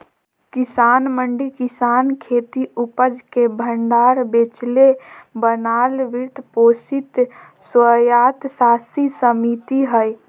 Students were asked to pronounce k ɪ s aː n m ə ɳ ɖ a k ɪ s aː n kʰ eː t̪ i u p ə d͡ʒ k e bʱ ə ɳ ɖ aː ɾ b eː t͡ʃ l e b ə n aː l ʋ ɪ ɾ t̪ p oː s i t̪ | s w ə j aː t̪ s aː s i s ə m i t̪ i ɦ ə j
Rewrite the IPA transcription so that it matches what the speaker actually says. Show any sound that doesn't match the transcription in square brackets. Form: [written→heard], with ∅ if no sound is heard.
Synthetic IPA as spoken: k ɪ s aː n m ə ɳ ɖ [a→i] k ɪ s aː n kʰ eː t̪ i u p ə d͡ʒ k e bʱ ə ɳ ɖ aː ɾ b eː t͡ʃ l e b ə n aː l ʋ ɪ ɾ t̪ p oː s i t̪ | s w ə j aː t̪ s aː s i s ə m i t̪ i ɦ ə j